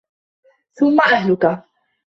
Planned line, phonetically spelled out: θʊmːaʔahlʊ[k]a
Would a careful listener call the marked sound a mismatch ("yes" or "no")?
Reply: no